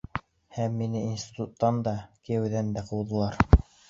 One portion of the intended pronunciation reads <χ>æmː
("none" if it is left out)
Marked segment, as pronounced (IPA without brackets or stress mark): h